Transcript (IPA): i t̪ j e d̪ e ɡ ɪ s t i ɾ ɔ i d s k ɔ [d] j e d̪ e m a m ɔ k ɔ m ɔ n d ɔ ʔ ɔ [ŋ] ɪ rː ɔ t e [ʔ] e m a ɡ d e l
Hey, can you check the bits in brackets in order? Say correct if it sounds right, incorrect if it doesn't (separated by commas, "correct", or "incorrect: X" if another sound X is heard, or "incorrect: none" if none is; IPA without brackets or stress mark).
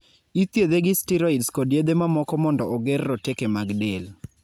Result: correct, incorrect: ɡ, incorrect: k